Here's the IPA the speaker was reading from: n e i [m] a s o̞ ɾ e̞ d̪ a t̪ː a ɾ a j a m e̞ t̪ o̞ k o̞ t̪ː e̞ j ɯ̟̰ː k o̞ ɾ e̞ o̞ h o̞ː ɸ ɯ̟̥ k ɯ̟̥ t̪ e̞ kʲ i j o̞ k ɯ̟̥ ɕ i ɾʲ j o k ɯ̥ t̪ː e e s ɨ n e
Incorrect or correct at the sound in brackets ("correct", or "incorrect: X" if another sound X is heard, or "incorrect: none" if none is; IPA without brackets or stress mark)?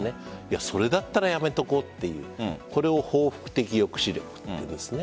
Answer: incorrect: none